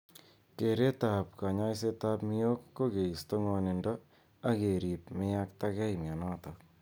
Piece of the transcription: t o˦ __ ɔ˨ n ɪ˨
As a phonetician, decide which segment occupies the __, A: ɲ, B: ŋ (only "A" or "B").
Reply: B